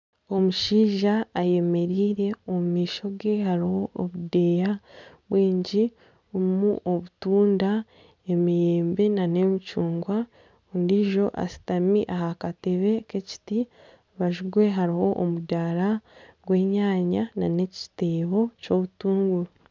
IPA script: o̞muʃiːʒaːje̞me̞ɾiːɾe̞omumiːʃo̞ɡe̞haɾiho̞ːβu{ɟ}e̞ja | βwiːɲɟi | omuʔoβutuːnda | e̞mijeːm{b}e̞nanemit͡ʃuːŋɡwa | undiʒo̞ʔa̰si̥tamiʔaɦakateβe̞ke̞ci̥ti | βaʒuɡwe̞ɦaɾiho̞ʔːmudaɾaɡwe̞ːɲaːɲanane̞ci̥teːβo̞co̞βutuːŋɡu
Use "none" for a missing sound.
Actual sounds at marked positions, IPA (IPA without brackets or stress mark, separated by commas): d, b